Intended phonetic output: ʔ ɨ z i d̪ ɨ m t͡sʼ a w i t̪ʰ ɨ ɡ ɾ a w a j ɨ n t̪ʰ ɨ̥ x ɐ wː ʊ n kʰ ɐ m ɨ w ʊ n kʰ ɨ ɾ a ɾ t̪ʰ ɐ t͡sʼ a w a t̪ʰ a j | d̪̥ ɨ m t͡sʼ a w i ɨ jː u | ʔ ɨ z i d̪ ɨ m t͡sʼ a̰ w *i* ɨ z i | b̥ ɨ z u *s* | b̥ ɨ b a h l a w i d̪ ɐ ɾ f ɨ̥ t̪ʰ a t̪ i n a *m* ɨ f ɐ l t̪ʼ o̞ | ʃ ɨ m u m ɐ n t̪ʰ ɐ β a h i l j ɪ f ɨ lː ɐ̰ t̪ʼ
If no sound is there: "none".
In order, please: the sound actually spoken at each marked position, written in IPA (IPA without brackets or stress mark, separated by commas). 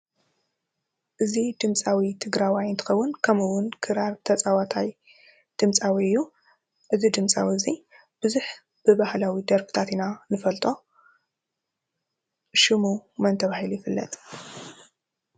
i, ħ, n